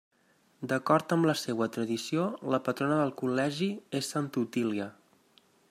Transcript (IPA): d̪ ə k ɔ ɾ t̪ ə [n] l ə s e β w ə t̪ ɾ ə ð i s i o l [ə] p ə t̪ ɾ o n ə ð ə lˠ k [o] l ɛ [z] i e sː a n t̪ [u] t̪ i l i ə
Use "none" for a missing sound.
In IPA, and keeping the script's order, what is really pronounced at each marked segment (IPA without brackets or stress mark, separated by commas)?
m, ə, u, ʒ, u